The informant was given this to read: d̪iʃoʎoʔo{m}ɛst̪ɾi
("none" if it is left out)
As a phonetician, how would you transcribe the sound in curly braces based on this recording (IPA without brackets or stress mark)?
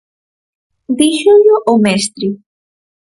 m